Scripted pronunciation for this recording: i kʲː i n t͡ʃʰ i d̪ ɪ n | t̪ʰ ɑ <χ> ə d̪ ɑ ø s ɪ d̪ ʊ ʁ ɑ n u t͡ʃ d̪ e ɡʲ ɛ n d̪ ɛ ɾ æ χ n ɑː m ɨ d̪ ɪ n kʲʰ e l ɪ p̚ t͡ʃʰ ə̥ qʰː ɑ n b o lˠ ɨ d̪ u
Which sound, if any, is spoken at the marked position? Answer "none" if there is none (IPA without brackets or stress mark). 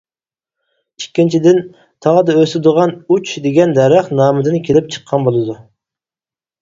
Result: ʁ